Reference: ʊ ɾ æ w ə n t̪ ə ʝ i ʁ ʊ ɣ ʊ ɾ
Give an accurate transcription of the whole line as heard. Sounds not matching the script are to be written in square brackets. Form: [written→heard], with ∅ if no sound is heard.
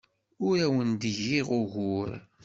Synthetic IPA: ʊ ɾ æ w ə n [t̪→d̪] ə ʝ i ʁ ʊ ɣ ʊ ɾ

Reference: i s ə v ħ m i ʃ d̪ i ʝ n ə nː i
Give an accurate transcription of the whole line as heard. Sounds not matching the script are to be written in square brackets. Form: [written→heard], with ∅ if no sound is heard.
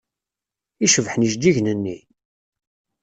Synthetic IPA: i [s→ʃ] ə v ħ [m→n] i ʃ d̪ i ʝ n ə nː i

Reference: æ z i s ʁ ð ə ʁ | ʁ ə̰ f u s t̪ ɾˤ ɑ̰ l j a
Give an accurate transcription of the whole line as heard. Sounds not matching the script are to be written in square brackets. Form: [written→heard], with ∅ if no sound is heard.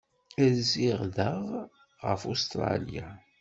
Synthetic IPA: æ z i [s→∅] ʁ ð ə ʁ | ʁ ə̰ f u s t̪ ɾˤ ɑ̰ l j a

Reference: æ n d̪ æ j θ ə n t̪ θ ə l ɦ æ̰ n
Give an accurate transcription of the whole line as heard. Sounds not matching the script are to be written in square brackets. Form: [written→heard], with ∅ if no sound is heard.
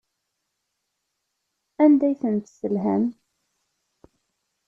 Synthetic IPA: æ n d̪ æ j θ ə n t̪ [θ→s] ə l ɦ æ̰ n

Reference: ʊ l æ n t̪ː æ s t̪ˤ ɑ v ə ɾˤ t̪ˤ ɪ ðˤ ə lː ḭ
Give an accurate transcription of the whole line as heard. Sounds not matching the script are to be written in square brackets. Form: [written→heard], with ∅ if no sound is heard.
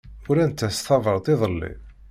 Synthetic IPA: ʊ [l→ɾ] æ n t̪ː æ s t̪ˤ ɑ v ə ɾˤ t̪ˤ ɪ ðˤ ə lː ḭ

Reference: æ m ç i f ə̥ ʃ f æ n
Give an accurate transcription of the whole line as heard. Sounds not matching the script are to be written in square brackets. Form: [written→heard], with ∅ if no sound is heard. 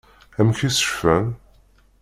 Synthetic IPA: æ m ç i [f→s] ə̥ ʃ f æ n

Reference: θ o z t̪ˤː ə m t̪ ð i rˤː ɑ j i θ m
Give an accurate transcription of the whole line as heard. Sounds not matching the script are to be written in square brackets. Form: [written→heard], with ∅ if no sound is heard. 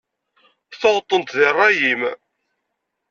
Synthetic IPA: θ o [z→ʁ] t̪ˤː ə [m→n] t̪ ð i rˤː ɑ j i [θ→∅] m

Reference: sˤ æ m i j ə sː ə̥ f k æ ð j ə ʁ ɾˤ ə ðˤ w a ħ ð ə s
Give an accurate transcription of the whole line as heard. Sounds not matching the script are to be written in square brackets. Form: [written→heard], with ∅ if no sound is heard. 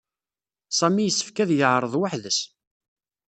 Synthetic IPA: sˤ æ m i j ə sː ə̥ f k æ ð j ə [ʁ→ʕ] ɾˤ ə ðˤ w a ħ ð ə s

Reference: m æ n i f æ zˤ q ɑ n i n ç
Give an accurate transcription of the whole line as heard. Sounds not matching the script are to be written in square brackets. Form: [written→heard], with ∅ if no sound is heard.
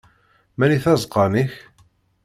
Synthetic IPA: m æ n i [f→θ] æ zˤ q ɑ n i [n→∅] ç

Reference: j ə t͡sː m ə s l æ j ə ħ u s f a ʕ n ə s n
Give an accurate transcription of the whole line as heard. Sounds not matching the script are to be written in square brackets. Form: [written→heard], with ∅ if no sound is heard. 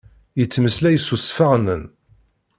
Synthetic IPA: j ə t͡sː m ə s l æ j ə [ħ→s] u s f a [ʕ→ʁ] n ə [s→∅] n

